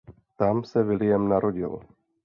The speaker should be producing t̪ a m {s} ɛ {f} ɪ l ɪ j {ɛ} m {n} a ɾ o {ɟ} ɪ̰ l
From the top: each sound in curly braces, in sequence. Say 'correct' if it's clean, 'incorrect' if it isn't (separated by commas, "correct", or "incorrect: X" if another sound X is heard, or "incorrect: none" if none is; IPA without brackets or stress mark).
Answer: correct, incorrect: v, correct, correct, correct